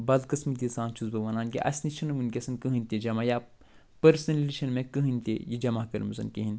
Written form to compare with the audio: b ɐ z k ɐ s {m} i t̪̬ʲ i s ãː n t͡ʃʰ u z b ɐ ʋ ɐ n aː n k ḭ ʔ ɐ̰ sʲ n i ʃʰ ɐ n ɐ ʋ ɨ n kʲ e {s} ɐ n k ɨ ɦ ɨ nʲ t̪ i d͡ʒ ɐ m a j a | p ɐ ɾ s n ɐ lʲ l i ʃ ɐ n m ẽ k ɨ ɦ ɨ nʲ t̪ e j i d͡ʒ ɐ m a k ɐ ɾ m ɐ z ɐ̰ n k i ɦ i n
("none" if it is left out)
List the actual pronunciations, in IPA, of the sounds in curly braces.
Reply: m, s

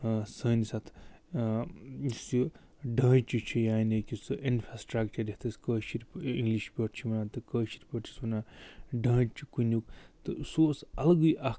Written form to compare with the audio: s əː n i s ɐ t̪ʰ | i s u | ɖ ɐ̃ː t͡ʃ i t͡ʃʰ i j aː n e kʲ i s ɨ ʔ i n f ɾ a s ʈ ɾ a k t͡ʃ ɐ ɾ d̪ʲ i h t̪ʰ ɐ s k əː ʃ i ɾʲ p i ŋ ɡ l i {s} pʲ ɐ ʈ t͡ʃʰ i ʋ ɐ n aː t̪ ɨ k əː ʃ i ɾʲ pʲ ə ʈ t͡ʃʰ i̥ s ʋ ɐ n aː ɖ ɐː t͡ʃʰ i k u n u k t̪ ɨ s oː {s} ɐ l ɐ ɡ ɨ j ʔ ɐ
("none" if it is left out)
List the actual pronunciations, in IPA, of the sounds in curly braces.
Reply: ʃ, s

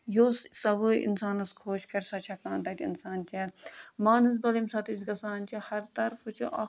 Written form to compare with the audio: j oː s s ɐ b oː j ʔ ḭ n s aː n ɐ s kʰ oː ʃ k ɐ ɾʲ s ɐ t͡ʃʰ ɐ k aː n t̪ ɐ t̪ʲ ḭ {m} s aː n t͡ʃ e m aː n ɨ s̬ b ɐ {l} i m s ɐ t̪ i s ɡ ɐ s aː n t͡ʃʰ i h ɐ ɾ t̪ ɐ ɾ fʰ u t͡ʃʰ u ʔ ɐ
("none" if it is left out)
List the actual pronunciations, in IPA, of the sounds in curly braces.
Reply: n, l

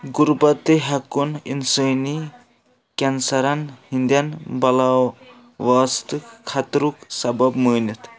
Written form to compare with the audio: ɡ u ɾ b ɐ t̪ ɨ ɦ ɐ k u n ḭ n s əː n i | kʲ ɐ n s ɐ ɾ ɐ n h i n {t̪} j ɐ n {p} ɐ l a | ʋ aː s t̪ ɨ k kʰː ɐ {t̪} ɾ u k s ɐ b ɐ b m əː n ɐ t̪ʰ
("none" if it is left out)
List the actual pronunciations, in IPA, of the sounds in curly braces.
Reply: d̪, b, t̪

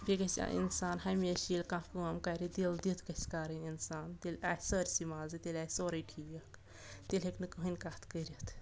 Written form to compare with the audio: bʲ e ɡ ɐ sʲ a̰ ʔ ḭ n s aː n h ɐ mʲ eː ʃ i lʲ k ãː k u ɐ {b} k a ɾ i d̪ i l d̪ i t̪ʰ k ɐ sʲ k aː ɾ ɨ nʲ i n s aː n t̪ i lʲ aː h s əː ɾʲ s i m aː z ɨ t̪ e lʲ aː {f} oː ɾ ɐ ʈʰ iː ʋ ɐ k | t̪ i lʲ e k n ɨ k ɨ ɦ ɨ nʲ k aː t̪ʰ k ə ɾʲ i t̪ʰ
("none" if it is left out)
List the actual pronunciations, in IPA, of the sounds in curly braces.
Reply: m, s

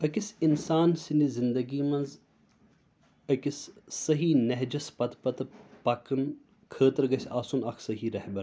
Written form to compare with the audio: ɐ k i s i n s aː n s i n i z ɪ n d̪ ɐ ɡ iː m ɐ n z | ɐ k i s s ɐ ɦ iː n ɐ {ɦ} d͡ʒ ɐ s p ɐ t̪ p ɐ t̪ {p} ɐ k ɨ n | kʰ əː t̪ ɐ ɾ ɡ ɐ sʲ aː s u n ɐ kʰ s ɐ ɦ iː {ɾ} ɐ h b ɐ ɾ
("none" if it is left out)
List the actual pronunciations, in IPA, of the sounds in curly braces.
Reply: ɦ, p, ɾ

